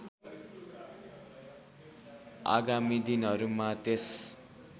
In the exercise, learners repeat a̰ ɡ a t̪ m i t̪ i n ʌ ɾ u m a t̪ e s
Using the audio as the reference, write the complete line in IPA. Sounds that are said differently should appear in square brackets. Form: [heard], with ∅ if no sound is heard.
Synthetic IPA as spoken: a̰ ɡ a [∅] m i [d̪] i n ʌ ɾ u m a t̪ e s